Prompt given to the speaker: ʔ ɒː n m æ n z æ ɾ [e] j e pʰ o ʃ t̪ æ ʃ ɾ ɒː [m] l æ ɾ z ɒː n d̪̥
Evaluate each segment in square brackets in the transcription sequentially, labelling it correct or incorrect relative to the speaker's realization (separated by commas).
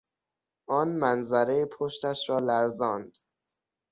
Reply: correct, incorrect